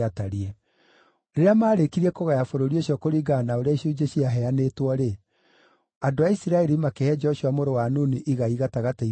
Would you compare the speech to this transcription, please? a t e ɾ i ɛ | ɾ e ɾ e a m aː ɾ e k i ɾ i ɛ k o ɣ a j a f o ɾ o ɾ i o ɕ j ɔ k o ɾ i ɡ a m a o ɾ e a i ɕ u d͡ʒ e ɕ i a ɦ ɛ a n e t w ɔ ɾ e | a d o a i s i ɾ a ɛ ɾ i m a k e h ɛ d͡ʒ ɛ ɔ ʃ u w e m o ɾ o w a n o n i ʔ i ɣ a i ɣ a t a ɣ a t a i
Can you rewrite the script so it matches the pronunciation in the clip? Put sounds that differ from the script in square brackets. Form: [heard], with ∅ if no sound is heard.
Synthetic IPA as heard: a t [a] ɾ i ɛ | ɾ e ɾ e a m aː ɾ e k i ɾ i ɛ k o ɣ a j a f o ɾ o ɾ i o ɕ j ɔ k o ɾ i ɡ a [n] a o ɾ e a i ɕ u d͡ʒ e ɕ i a ɦ ɛ a n e t w ɔ ɾ e | a d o a i s i ɾ a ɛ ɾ i m a k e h ɛ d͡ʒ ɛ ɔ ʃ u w [a] m o ɾ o w a n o n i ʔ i ɣ a i ɣ a t a ɣ a t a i